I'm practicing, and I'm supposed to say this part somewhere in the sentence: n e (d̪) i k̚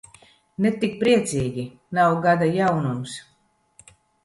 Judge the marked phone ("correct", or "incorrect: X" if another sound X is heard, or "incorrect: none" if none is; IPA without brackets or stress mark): incorrect: t̪